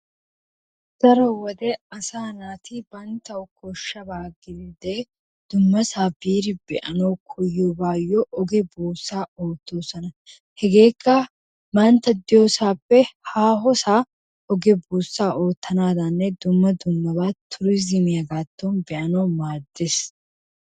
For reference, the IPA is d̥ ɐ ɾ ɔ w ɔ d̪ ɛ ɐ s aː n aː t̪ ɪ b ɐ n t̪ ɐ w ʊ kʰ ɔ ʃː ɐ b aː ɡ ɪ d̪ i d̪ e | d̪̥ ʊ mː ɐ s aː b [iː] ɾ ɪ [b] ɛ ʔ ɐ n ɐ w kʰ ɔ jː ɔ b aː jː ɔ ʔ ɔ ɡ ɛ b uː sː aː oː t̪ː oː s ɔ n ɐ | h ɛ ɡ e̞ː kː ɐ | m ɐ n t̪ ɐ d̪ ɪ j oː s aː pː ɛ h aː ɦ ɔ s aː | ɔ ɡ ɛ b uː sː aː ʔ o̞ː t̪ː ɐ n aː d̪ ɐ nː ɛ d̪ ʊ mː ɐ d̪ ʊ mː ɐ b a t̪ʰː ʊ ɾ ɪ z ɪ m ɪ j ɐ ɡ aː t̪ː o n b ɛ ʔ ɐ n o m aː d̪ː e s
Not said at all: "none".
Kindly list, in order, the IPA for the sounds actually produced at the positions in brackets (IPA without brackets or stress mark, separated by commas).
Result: iː, b